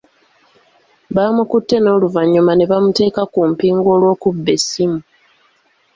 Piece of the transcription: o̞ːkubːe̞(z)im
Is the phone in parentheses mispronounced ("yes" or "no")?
yes